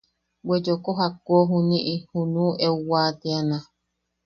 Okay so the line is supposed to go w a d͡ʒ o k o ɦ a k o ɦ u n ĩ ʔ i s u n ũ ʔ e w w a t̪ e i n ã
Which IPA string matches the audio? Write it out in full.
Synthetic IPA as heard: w e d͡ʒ o k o ɦ a k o ɦ u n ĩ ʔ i h u n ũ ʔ e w w a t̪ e a n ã

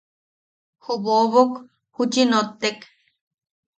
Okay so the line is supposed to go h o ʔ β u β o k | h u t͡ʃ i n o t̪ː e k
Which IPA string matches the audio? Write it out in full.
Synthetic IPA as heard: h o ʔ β o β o k | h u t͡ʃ i n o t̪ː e k

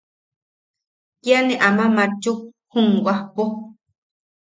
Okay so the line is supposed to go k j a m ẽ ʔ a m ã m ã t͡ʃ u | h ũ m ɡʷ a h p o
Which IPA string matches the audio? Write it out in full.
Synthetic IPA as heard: k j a n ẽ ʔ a m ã m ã t͡ʃ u | h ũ ŋ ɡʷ a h p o

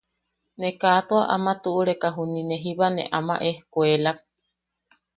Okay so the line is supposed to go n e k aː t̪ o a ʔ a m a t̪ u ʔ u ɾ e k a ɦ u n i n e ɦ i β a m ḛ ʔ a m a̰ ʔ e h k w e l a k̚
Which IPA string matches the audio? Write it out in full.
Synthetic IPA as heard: n e k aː t̪ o a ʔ a m a t̪ u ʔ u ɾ e k a ɦ u n i n e ɦ i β a n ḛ ʔ a m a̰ ʔ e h k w e l a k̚

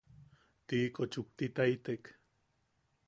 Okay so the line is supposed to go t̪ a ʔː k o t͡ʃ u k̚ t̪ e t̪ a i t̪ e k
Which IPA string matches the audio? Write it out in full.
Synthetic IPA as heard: t̪ i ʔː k o t͡ʃ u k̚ t̪ i t̪ a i t̪ e k

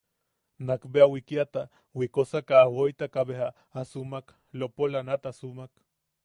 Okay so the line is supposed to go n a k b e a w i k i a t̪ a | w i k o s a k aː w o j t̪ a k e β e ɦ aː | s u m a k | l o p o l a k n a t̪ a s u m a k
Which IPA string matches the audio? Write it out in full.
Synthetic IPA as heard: n a k b e a w i k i a t̪ a | w i k o s a k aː w o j t̪ a k a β e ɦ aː | s u m a k | l o p o l a n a t̪ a s u m a k

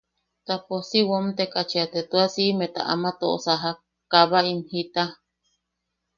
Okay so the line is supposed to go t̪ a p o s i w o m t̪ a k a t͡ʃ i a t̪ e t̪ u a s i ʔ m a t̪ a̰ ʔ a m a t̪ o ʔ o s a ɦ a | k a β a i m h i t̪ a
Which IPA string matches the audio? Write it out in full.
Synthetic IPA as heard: t̪ a p o s i w o m t̪ e k a t͡ʃ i a t̪ e t̪ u a s i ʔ m e t̪ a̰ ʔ a m a t̪ o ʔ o s a ɦ a | k a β a i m h i t̪ a

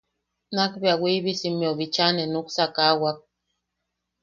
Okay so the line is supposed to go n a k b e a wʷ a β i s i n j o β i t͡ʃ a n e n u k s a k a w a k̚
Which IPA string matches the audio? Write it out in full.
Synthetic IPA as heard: n a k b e a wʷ i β i s i m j o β i t͡ʃ a n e n u k s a k a w a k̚

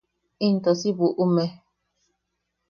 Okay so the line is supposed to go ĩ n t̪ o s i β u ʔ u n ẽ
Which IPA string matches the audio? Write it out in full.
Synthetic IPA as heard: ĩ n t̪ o s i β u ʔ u m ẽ

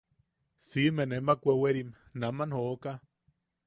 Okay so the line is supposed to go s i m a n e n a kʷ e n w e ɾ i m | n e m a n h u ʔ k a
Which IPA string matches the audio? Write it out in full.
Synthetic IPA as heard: s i m e n e m a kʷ e w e ɾ i m | n a m a n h o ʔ k a

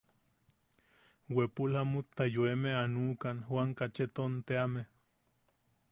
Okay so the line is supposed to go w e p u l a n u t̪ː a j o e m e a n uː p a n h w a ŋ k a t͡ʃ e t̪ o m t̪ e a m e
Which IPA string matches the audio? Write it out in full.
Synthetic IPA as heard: w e p u l a m u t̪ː a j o e m e a n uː k a n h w a ŋ k a t͡ʃ e t̪ o n t̪ e a m e

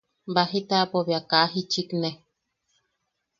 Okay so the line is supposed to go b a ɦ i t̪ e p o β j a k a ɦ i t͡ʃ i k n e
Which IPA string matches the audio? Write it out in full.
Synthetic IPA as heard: b a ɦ i t̪ a p o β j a k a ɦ i t͡ʃ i k n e

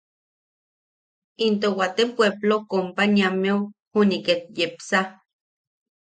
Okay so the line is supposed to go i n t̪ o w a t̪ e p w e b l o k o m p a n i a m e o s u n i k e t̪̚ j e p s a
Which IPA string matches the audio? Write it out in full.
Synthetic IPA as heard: i n t̪ o w a t̪ e p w e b l o k o m p a n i a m e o h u n i k e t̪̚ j e p s a

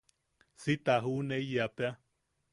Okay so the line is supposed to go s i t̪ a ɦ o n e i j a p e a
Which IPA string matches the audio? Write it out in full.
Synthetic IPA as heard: s i t̪ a ɦ u n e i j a p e a

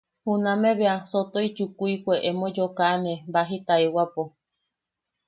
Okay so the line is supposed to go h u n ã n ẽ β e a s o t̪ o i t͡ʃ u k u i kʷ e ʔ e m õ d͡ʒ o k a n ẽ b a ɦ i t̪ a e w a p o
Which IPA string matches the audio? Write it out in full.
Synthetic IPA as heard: h u n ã m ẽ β e a s o t̪ o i t͡ʃ u k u i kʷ e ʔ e m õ d͡ʒ o k a n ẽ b a ɦ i t̪ a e w a p o

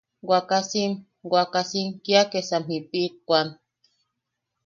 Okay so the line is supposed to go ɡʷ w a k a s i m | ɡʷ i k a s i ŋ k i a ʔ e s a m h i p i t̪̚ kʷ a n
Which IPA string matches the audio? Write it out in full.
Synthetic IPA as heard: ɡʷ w a k a s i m | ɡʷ a k a s i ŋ k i a k e s a m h i p i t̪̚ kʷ a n

